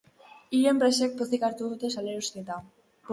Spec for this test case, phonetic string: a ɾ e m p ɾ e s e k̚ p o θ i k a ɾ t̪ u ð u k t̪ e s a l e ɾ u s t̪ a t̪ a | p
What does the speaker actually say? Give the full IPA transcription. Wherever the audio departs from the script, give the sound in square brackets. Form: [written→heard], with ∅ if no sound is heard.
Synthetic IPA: [a→i] ɾ e m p ɾ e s e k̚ p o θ i k a ɾ t̪ u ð u [k→∅] t̪ e s a l e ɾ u s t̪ [a→e] t̪ a | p